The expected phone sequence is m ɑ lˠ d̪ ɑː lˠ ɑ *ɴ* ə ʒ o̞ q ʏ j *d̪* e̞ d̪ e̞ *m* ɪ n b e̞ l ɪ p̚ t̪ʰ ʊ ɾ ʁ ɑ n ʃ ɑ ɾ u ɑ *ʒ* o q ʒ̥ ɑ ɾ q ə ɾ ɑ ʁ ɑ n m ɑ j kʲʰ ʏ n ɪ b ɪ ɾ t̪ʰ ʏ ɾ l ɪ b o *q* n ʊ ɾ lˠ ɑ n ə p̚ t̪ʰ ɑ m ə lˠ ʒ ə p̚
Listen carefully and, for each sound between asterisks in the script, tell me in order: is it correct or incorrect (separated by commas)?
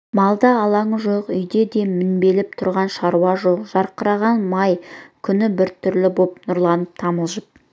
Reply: correct, correct, correct, correct, incorrect